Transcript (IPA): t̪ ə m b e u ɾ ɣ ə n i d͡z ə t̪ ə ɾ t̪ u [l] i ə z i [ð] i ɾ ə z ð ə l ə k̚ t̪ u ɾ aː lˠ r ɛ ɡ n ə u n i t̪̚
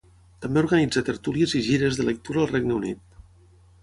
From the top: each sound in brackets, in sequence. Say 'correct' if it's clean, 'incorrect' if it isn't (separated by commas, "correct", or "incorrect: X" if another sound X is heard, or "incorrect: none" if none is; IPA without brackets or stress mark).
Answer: correct, incorrect: ʒ